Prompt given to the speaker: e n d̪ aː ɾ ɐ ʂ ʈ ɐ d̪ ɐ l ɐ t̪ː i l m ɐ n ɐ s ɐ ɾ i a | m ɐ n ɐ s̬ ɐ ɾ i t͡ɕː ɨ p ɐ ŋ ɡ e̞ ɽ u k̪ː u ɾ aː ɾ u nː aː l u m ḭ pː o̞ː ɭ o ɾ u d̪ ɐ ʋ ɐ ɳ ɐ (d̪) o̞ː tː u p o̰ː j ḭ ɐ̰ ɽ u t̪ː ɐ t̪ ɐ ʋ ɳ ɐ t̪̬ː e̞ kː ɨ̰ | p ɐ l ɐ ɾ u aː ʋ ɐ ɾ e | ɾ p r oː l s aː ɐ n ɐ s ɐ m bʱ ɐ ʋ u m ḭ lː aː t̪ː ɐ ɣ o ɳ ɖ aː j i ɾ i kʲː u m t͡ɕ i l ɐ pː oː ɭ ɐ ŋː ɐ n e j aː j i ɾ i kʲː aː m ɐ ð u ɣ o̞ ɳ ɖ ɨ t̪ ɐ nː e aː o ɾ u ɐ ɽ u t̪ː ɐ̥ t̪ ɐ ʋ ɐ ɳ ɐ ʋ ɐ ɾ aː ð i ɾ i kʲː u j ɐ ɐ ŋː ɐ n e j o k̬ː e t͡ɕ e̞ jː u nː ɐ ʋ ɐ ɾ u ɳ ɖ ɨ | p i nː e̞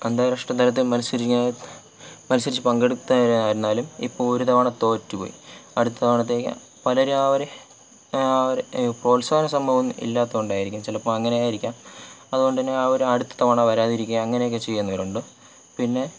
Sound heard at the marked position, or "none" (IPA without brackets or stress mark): t̪